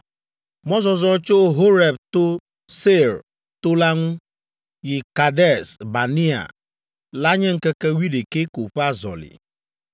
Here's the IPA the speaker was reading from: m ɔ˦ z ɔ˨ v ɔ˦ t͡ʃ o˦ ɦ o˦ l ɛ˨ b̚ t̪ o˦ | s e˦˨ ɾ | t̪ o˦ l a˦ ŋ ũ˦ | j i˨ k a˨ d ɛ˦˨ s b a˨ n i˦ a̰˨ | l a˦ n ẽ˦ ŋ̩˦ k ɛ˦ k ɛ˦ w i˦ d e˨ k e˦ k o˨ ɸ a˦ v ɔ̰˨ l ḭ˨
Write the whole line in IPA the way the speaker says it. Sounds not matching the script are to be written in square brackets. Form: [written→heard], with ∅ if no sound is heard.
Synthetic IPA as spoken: m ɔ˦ z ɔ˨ [v→z] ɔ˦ t͡ʃ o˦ ɦ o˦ [l→ɾ] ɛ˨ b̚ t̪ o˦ | s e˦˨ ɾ | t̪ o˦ l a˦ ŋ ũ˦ | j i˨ k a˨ d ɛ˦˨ s b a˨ n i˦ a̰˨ | l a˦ [n→ɲ] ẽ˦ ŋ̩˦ k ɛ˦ k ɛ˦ w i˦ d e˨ k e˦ k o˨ ɸ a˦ [v→z] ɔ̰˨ l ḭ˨